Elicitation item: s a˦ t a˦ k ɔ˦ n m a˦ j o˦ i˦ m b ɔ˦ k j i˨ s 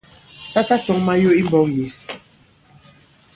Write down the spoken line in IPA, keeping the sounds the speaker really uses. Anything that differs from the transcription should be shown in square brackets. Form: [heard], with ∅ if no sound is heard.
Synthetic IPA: s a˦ t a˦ [t] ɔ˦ [ŋ] m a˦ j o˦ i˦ m b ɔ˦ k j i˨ s